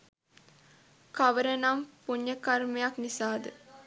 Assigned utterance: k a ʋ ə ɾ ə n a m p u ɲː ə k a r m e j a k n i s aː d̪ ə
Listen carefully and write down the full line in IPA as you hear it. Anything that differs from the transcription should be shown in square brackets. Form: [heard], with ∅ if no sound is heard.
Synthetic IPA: k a ʋ ə ɾ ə n a m p u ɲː ə k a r m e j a k n i s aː d̪ ə